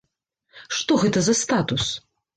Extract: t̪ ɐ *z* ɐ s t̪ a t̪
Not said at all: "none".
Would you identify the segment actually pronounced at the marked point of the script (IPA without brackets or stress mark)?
z